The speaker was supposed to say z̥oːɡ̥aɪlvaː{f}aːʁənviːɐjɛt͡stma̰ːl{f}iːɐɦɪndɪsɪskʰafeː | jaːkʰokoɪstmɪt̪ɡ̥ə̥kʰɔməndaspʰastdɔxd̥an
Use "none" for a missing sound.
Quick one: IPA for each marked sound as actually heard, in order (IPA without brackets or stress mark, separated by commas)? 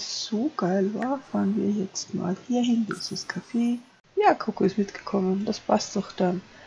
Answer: f, h